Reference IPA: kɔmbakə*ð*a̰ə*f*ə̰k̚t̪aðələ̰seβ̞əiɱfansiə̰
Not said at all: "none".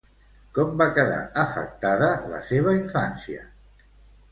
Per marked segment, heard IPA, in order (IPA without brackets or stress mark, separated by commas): ð, f